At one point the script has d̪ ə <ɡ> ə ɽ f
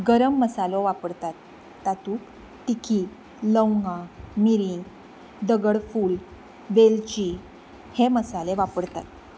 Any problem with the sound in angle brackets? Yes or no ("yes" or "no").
no